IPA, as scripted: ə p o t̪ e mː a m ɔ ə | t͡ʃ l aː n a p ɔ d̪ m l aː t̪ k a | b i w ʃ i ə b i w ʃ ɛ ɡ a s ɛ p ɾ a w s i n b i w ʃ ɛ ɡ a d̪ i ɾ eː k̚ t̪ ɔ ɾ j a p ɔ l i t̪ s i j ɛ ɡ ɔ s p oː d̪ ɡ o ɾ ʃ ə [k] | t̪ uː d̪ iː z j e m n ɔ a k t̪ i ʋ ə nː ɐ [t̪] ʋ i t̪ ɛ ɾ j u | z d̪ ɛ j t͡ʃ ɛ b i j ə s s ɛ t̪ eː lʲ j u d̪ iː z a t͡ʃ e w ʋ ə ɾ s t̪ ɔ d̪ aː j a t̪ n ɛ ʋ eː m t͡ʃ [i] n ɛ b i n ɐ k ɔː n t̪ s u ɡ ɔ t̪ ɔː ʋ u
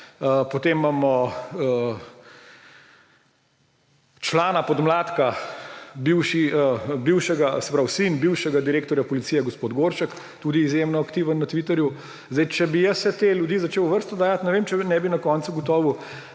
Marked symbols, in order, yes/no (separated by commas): yes, yes, no